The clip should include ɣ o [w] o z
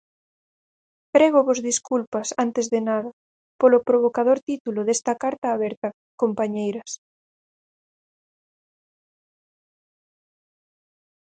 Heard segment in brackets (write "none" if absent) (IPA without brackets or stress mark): β